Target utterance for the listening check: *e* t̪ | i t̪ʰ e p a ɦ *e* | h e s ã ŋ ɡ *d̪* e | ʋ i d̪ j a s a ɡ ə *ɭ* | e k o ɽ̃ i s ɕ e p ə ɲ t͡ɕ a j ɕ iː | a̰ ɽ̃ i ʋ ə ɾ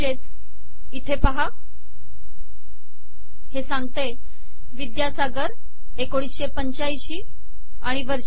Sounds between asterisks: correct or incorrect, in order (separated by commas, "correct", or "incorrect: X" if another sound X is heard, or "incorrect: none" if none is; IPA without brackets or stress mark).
correct, incorrect: a, incorrect: t̪, incorrect: ɾ